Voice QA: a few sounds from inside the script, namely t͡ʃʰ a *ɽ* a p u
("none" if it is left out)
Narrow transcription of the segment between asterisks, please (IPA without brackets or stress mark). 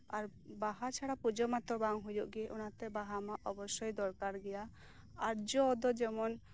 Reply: ɽ